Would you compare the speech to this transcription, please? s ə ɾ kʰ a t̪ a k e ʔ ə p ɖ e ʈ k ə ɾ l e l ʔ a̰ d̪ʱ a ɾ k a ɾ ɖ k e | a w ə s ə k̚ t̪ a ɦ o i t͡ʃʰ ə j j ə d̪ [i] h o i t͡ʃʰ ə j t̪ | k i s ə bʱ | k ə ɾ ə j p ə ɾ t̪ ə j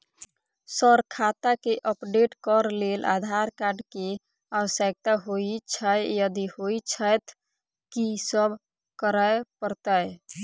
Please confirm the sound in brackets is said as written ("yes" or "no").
yes